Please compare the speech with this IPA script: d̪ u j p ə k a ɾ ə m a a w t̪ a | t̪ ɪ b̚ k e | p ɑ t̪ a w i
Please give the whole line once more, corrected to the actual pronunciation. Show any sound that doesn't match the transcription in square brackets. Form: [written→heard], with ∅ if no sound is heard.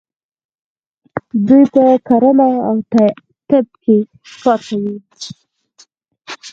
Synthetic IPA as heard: d̪ u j p ə k a ɾ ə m a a w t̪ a | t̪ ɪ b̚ k e | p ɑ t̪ a w i